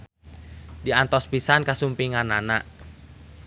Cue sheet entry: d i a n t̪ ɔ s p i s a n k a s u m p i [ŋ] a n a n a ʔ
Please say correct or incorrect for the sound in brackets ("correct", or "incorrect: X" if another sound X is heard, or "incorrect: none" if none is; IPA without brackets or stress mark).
correct